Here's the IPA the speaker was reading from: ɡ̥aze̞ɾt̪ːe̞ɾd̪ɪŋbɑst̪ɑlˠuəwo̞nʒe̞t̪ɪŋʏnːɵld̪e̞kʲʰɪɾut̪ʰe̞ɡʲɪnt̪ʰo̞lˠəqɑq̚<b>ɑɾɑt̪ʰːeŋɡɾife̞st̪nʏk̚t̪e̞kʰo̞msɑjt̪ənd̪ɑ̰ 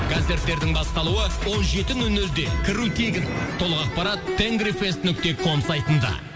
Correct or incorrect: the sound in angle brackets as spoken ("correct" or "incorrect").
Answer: incorrect